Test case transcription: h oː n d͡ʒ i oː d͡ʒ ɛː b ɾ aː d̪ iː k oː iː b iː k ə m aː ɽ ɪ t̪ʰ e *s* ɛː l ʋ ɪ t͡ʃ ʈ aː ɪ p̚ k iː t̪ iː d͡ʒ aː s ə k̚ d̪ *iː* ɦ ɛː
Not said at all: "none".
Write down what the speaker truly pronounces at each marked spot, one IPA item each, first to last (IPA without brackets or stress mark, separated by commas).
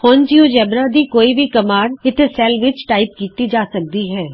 s, iː